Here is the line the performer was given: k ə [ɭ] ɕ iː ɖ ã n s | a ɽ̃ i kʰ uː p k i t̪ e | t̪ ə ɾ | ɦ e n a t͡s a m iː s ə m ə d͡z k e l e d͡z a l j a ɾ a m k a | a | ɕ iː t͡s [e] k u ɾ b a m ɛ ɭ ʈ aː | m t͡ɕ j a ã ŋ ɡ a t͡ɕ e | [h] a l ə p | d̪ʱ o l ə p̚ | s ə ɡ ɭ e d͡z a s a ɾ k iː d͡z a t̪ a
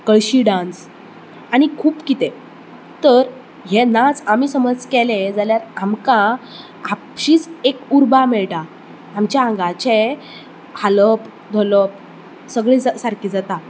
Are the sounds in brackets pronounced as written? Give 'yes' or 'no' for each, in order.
yes, yes, yes

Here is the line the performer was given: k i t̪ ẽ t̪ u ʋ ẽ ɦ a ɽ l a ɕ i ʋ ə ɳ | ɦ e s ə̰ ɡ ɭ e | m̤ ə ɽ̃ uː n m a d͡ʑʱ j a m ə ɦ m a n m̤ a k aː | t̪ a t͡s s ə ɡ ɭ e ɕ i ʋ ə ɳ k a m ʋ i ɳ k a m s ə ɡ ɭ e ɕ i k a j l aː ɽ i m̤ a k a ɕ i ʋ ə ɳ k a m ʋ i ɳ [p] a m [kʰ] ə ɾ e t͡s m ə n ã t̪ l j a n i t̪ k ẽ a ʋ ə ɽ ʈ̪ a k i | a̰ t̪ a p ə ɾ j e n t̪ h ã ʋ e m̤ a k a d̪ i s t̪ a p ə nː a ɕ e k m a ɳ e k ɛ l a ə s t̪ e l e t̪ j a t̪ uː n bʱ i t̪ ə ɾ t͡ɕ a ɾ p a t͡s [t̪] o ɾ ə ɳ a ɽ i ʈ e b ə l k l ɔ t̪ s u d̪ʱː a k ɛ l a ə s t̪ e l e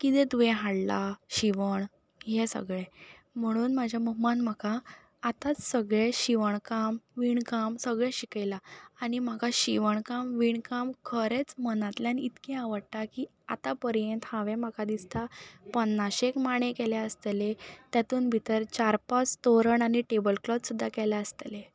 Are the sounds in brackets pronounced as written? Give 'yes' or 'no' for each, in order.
no, yes, yes

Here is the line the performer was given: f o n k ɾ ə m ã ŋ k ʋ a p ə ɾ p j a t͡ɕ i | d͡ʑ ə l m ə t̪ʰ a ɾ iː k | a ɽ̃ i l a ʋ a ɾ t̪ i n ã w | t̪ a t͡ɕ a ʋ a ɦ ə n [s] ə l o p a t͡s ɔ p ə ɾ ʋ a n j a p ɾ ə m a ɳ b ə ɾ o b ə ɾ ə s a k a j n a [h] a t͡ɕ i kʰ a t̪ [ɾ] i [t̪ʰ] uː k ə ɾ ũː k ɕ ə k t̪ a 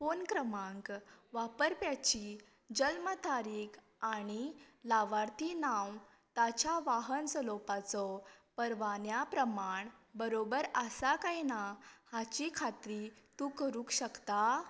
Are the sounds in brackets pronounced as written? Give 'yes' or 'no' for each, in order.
yes, yes, yes, no

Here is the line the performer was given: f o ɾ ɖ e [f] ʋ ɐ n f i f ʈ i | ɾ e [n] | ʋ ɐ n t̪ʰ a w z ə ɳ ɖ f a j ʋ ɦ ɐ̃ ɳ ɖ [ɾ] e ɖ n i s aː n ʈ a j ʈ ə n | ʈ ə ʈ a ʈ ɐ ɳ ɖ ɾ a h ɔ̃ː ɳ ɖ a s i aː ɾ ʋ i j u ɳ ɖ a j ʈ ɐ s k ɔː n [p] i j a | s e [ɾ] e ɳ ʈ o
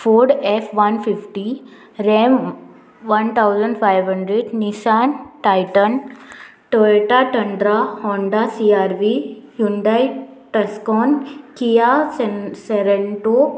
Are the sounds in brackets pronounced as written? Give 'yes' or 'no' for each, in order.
yes, no, yes, no, yes

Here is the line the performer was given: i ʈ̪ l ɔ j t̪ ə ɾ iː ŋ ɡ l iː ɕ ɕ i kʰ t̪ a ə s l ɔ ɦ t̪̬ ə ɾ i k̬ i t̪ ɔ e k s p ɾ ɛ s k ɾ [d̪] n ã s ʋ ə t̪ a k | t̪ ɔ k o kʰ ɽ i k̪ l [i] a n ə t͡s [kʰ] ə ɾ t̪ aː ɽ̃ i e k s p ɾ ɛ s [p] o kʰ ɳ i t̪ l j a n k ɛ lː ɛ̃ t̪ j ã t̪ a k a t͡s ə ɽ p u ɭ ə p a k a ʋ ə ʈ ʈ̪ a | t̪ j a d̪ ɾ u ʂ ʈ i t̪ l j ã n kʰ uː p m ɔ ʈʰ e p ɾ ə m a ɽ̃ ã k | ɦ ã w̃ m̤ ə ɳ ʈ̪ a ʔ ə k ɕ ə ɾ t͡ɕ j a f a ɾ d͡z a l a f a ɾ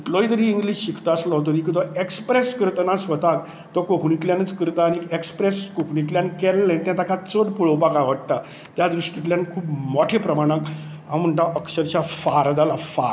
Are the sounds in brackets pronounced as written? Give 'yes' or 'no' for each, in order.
no, no, no, no

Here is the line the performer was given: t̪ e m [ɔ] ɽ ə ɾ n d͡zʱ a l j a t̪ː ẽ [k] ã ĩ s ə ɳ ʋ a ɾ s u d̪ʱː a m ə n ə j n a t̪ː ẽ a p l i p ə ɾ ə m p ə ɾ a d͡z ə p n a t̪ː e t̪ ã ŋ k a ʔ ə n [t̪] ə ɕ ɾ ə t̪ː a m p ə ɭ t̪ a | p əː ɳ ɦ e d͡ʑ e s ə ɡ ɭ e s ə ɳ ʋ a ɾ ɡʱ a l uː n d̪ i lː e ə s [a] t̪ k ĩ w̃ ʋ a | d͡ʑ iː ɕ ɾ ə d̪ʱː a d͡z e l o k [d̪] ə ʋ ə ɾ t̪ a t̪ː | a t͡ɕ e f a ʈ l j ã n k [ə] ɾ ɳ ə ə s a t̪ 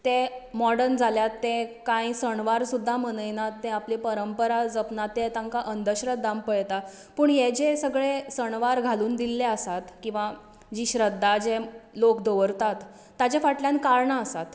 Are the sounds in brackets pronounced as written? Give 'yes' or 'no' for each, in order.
yes, yes, no, yes, yes, no

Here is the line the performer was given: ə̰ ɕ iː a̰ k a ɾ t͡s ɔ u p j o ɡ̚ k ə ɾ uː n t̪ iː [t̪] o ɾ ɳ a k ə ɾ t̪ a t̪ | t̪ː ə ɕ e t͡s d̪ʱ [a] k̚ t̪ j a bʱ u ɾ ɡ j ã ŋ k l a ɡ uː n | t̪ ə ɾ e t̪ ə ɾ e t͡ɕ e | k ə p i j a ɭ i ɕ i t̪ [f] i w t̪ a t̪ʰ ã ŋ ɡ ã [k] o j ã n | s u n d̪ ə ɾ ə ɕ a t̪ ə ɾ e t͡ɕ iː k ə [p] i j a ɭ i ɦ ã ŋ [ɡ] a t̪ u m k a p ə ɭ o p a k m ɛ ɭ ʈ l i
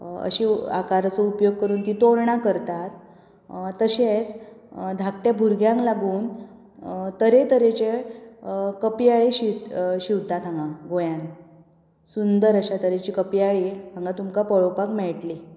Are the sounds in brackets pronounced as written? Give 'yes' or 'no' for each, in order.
yes, yes, no, no, yes, yes

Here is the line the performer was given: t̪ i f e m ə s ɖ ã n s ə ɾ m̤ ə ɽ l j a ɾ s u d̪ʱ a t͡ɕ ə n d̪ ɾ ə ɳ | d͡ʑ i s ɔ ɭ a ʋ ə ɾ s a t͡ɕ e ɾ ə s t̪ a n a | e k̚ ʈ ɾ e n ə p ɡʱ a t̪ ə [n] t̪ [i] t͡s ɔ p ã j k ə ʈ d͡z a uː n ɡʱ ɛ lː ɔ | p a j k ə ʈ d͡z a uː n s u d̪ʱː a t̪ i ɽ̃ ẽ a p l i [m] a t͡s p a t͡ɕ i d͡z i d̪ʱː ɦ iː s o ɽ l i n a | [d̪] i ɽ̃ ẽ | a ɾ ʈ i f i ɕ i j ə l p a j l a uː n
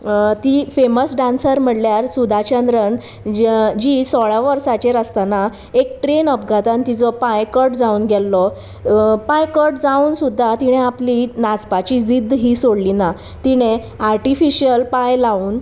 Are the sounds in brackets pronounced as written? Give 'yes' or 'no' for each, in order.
yes, yes, no, no

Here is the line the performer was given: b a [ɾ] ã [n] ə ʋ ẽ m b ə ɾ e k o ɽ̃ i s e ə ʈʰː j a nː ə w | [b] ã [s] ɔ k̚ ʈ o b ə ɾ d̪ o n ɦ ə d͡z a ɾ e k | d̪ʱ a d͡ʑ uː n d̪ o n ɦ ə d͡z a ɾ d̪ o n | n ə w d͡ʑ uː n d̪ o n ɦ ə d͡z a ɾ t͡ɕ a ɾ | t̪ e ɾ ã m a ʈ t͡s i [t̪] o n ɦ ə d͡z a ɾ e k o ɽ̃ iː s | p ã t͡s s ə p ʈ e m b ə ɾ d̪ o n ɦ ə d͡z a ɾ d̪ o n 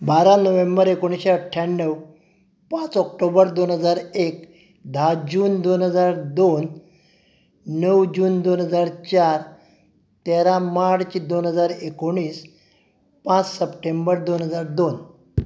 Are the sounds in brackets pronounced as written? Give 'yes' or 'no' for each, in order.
yes, yes, no, no, no

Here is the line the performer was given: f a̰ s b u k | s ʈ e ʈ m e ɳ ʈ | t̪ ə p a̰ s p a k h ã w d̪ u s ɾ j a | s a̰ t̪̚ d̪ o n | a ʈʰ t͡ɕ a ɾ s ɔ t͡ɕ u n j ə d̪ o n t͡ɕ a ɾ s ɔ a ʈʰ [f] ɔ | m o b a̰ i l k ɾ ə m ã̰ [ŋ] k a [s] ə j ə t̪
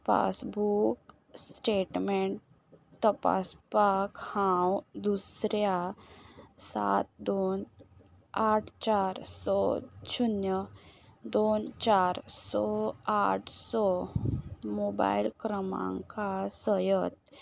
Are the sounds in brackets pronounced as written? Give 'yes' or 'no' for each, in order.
no, yes, yes

